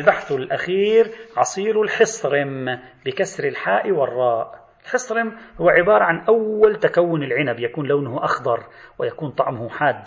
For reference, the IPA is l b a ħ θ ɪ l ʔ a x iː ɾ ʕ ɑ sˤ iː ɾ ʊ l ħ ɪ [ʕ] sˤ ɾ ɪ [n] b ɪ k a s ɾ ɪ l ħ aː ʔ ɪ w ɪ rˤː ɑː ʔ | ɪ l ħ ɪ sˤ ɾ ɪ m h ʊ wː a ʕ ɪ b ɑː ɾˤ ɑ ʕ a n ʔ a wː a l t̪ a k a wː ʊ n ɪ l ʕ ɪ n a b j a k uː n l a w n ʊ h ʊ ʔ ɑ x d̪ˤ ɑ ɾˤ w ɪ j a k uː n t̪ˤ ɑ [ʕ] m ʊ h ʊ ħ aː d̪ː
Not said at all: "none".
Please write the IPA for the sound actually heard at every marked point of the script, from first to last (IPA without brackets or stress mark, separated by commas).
none, m, ʕ